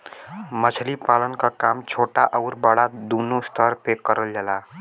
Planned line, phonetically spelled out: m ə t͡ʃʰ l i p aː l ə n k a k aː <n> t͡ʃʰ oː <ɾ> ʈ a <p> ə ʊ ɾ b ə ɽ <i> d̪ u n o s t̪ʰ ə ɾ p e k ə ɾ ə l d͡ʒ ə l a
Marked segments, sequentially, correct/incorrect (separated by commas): incorrect, incorrect, incorrect, incorrect